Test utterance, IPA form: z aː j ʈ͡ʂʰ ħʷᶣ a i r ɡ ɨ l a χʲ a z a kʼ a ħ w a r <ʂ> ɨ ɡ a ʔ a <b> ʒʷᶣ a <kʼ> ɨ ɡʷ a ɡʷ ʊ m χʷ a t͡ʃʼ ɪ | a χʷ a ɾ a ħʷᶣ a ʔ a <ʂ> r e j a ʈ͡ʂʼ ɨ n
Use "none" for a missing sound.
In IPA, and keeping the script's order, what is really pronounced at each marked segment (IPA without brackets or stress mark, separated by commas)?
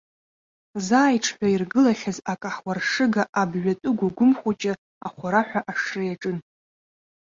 ʂ, b, tʼ, ʂ